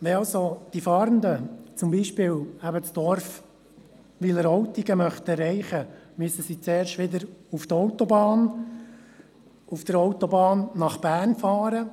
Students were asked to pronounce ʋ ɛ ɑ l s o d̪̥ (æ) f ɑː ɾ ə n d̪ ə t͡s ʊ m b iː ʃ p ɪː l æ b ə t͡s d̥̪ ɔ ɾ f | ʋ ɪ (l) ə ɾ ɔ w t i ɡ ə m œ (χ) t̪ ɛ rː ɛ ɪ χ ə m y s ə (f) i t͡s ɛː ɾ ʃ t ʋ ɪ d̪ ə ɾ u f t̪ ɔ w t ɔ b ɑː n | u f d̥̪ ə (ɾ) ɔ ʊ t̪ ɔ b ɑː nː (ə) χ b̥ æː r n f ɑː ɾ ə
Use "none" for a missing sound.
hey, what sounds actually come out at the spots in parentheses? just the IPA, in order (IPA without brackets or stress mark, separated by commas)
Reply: i, l, χ, s, ɾ, ɑ